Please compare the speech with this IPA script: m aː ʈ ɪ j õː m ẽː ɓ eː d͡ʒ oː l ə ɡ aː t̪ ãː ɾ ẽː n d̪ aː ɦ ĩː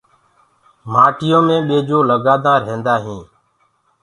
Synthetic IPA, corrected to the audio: m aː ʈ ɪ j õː m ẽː ɓ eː d͡ʒ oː l ə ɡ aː d̪ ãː ɾ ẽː n d̪ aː ɦ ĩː